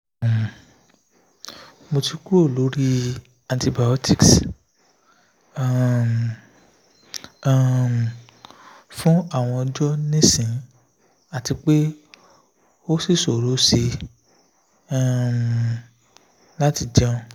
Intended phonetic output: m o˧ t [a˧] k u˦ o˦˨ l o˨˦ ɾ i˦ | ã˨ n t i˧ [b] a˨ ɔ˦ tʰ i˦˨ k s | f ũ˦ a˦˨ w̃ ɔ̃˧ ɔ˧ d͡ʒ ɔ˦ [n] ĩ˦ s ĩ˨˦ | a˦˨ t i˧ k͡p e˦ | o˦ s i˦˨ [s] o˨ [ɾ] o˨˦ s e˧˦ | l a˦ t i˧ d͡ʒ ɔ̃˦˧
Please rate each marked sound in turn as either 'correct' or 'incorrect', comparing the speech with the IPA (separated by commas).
incorrect, correct, correct, correct, correct